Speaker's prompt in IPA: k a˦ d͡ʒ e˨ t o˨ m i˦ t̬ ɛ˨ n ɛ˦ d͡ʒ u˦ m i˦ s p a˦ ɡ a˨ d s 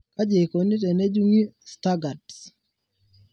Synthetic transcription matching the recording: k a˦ d͡ʒ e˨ k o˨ n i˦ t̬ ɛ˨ n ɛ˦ d͡ʒ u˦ ŋ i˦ s t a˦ ɡ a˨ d s